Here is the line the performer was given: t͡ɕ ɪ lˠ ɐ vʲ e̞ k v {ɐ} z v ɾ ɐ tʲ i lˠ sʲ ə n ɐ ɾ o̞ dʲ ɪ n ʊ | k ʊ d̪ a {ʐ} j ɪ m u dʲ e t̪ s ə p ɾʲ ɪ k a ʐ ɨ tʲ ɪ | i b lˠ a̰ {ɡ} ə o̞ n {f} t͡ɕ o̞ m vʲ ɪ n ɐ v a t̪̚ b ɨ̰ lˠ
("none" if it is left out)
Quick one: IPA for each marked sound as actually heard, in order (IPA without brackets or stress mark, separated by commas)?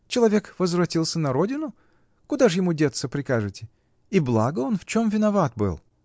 ə, ʐ, ɡ, f